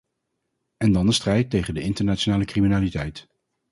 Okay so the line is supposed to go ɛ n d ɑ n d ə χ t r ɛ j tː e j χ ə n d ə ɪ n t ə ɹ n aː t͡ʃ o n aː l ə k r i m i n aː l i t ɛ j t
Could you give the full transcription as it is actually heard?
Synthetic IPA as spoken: ɛ n d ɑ n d ə s t r ɛ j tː e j χ ə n d ə ɪ n t ə ɹ n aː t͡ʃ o n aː l ə k r i m i n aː l i t ɛ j t